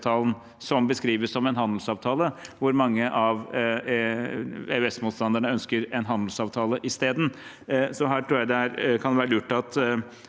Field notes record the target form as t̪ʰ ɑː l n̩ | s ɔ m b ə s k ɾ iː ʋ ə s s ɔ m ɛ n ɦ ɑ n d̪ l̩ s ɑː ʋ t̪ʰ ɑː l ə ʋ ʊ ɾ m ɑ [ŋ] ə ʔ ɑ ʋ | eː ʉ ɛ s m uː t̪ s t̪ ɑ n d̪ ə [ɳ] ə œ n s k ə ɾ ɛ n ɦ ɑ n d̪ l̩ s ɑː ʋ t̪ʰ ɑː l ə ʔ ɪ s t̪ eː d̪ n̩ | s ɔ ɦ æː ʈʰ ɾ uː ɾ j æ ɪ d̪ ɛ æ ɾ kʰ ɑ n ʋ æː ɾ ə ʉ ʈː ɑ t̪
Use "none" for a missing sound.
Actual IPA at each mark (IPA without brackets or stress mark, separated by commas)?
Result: ŋː, ɳ